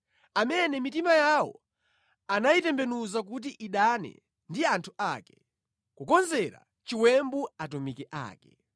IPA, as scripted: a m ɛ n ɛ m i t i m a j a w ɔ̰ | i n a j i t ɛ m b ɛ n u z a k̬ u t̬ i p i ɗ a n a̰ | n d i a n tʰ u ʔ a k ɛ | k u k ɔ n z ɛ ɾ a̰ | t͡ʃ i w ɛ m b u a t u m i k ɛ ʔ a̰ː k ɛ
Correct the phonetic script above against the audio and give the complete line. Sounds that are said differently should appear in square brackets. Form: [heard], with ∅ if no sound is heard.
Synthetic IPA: a m ɛ n ɛ m i t i m a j a w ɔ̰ | [a] n a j i t ɛ m b ɛ n u z a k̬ u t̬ i [ʔ] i ɗ a n [ɛ̰] | n d i a n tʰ u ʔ a k ɛ | k u k ɔ n z ɛ ɾ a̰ | t͡ʃ i w ɛ m b u a t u m i k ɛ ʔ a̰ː k ɛ